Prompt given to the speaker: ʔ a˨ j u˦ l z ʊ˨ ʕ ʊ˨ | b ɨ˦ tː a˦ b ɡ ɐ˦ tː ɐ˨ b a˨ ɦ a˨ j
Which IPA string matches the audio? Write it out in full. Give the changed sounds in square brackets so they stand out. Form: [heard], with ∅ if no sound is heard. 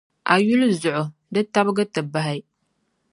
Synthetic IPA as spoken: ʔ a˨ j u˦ l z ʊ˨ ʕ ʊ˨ | [d] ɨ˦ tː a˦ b ɡ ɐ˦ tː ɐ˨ b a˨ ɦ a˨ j

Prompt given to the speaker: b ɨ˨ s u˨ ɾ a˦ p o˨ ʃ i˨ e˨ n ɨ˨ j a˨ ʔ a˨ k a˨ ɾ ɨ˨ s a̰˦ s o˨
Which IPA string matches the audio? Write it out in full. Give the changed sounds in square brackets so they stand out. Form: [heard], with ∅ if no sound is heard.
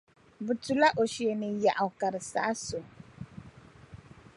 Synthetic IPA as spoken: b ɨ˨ [t] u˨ [l] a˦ [ʔ] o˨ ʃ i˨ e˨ n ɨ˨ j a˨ ʔ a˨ k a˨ ɾ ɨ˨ s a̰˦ s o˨

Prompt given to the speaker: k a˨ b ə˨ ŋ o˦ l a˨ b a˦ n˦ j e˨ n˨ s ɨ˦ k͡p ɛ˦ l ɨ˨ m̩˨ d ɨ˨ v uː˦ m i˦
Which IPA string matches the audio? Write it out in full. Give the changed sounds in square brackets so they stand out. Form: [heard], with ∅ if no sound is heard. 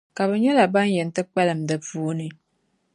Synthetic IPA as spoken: k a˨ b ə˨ [ɲ] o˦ l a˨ b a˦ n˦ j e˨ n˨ [t] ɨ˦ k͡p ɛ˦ l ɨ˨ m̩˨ d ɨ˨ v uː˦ [n] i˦

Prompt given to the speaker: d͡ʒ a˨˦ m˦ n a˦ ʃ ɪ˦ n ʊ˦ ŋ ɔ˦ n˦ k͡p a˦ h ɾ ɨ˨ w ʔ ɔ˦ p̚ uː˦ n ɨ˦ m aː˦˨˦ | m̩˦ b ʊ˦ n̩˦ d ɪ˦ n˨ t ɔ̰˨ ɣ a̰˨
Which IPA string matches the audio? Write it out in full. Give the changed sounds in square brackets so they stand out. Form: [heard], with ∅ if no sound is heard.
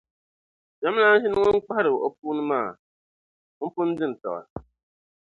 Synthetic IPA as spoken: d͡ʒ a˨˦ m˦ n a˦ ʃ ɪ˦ n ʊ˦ ŋ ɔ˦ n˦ k͡p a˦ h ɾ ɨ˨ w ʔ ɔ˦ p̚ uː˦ n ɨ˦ m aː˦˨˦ | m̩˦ [p] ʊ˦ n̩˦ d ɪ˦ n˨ t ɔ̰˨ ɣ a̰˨

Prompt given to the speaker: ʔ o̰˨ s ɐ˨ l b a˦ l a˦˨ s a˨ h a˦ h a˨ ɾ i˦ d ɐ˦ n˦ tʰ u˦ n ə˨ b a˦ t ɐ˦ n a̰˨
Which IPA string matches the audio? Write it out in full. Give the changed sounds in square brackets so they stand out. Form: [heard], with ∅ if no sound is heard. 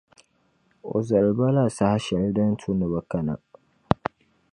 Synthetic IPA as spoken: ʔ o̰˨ [z] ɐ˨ l b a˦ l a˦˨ s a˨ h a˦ [ʃ] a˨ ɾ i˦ d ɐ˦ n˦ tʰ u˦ n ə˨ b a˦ [k] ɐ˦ n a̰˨

